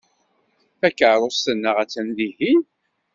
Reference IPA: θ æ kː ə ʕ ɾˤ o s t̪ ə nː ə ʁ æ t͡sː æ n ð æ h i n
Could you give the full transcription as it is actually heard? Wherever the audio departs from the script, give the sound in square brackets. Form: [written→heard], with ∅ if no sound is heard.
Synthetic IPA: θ æ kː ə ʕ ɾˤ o s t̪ ə nː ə ʁ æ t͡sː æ n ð [æ→i] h i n